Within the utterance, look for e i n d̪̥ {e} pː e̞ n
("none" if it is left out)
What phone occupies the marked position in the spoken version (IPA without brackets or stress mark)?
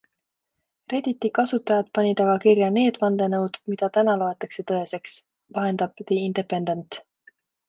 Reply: e